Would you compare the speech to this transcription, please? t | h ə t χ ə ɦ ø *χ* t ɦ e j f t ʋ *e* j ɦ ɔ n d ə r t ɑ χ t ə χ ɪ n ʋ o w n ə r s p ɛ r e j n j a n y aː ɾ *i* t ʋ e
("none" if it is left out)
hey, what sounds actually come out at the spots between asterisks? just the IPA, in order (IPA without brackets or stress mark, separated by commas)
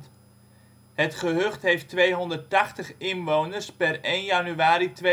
χ, e, i